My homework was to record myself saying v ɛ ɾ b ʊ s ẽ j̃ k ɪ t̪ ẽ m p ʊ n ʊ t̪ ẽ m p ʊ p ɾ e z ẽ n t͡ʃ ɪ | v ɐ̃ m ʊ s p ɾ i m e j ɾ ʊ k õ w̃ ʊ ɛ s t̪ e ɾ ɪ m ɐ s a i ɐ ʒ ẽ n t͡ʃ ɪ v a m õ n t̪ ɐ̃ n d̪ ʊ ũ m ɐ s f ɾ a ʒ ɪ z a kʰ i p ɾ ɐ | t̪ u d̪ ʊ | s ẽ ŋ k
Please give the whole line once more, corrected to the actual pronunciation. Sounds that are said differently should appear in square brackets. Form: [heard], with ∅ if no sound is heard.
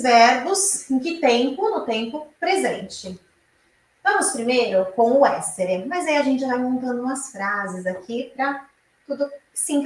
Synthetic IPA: v ɛ ɾ b ʊ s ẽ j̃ k ɪ t̪ ẽ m p ʊ n ʊ t̪ ẽ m p ʊ p ɾ e z ẽ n t͡ʃ ɪ | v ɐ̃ m ʊ s p ɾ i m e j ɾ ʊ k õ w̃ ʊ ɛ s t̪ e ɾ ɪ m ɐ [z] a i ɐ ʒ ẽ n t͡ʃ ɪ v a m õ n t̪ ɐ̃ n d̪ ʊ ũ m ɐ s f ɾ a [z] ɪ z a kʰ i p ɾ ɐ | t̪ u d̪ ʊ | s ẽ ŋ k